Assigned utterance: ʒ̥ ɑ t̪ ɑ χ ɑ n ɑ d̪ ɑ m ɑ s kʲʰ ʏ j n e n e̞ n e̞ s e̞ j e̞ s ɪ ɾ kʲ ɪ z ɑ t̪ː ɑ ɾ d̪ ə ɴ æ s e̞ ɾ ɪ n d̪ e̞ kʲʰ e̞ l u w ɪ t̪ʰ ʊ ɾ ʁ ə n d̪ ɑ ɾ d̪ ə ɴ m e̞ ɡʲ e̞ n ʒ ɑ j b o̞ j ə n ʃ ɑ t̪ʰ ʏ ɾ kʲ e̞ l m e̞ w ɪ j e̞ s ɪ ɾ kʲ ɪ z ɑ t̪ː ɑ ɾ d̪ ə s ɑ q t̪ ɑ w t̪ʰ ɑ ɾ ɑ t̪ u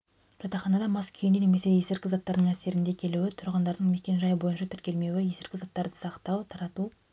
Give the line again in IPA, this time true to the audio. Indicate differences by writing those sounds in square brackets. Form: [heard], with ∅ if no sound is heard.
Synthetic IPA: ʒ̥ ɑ t̪ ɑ χ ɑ n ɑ d̪ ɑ m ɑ s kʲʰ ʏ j n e n e̞ [m] e̞ s e̞ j e̞ s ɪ ɾ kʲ ɪ z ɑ t̪ː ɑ ɾ d̪ ə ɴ æ s e̞ ɾ ɪ n d̪ e̞ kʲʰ e̞ l u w ɪ t̪ʰ ʊ ɾ ʁ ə n d̪ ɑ ɾ d̪ ə ɴ m e̞ [kʲ] e̞ n ʒ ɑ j b o̞ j ə n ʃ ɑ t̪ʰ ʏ ɾ kʲ e̞ l m e̞ w ɪ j e̞ s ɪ ɾ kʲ ɪ z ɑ t̪ː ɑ ɾ d̪ ə s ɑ q t̪ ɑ w t̪ʰ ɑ ɾ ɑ t̪ u